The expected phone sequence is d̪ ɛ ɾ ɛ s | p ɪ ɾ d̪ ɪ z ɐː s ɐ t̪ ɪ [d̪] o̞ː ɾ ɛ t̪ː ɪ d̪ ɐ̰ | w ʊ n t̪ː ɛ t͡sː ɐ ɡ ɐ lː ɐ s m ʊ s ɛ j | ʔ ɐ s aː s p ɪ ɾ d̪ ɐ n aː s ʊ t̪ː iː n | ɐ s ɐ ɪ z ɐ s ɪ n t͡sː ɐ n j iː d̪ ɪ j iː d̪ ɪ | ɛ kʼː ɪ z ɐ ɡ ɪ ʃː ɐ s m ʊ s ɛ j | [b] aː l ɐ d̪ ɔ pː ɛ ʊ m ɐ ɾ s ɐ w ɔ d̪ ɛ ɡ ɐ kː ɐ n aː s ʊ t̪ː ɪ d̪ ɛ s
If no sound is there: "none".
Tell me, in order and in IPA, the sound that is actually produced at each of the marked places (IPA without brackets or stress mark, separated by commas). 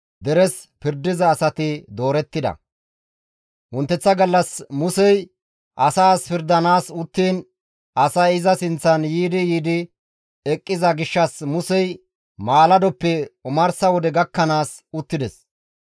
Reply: d̪, m